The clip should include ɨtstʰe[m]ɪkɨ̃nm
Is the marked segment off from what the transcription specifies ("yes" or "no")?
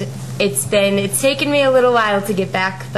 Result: yes